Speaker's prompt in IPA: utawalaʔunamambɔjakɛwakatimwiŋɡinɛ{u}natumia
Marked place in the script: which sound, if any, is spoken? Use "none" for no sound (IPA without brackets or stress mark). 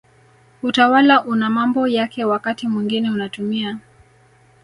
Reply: u